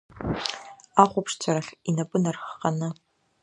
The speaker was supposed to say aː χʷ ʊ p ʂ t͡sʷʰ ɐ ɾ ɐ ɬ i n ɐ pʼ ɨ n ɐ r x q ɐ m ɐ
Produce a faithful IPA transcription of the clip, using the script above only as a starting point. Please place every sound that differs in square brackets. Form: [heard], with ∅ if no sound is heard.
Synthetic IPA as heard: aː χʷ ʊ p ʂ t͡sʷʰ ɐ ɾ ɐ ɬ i n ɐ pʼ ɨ n ɐ r x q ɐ [n] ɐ